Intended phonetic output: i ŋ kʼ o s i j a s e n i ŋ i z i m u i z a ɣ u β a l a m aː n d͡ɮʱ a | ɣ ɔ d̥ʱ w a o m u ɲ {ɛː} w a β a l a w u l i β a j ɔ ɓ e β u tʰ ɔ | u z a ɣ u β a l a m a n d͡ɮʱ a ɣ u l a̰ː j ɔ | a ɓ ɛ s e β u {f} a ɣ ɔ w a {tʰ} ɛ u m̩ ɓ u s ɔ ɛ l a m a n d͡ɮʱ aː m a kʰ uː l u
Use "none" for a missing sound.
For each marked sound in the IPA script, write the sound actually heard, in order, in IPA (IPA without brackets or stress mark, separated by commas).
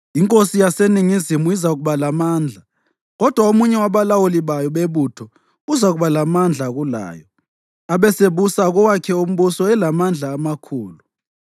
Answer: ɛ, s, kʰ